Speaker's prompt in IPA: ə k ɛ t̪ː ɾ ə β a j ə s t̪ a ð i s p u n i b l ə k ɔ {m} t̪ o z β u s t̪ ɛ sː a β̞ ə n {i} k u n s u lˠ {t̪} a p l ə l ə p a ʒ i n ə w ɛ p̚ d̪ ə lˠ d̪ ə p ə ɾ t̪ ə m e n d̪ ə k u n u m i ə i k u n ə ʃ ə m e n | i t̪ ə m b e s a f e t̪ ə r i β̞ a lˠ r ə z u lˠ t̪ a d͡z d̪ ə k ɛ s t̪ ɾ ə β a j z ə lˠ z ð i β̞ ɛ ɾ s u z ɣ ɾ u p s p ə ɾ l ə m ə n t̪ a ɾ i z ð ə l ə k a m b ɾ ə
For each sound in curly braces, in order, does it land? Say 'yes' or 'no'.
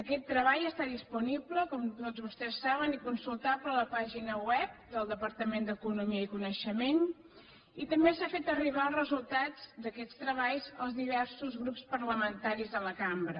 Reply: yes, yes, yes

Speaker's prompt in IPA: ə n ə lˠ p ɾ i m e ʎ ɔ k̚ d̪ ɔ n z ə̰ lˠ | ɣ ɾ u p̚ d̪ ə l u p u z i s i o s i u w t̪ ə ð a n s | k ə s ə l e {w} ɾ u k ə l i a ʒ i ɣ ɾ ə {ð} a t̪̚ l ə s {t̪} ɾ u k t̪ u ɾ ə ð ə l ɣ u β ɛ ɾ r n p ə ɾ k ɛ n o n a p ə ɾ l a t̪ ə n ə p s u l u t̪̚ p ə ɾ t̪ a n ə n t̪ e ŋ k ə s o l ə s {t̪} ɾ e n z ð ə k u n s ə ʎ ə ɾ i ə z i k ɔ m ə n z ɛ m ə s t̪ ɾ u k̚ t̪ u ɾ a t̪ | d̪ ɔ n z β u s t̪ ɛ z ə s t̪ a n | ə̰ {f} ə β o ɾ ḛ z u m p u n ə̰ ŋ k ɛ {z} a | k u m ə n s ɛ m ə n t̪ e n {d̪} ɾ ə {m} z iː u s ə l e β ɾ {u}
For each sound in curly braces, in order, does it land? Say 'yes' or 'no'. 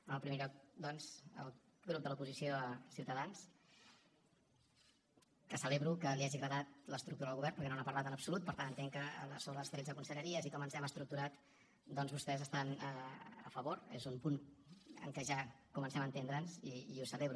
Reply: no, yes, yes, yes, yes, no, yes, no, yes

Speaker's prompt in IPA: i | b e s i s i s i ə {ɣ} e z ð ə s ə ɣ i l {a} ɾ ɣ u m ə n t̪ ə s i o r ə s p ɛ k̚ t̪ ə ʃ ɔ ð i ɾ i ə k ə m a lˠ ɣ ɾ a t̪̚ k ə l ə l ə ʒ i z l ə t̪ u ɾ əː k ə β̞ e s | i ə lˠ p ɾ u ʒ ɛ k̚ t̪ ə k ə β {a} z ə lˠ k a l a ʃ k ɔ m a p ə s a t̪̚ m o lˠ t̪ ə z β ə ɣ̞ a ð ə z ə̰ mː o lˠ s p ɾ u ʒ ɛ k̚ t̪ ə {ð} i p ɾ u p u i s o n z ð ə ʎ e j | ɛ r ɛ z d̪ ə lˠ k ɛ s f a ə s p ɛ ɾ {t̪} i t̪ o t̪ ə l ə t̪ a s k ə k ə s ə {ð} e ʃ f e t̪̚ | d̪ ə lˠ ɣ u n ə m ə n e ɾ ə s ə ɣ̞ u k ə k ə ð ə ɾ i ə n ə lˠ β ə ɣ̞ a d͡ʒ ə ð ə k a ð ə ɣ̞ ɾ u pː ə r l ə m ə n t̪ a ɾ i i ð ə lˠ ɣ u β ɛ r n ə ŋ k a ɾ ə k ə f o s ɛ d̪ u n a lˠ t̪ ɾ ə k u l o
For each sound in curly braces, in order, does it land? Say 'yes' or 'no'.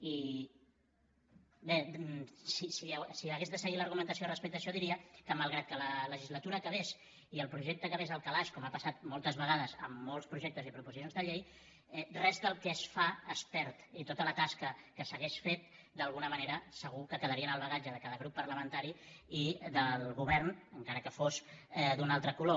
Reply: yes, no, no, no, yes, no

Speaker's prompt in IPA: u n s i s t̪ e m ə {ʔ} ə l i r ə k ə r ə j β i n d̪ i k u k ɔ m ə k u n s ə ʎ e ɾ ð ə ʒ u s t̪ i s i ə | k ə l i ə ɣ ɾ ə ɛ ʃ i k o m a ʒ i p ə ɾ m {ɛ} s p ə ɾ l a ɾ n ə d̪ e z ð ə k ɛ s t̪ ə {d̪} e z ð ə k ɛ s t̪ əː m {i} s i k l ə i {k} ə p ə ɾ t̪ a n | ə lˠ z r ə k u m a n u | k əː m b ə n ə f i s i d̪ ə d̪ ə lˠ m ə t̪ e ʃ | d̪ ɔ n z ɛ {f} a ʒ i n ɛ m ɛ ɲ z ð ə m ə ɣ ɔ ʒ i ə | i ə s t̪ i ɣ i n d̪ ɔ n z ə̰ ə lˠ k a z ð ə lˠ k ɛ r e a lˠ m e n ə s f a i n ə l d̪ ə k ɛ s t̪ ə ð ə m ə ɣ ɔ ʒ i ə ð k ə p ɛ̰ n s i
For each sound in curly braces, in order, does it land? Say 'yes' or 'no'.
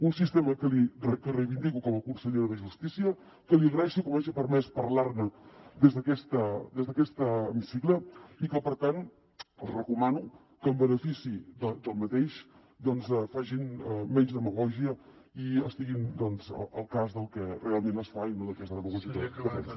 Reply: no, yes, yes, yes, yes, yes

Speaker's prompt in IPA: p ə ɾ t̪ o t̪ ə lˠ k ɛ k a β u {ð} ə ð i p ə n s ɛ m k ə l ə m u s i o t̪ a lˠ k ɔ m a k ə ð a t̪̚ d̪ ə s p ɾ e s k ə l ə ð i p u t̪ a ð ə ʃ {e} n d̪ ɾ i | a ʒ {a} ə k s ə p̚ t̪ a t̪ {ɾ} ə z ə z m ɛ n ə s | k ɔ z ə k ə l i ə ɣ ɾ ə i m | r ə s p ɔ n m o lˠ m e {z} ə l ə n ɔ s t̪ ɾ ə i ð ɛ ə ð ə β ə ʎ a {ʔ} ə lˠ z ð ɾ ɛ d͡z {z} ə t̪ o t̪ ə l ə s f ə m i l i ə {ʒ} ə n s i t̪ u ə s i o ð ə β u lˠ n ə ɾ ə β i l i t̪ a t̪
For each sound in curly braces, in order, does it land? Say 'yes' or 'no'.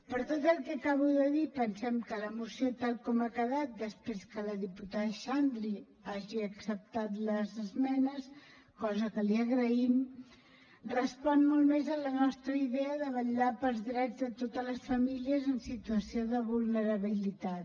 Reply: yes, no, no, no, yes, no, no, no

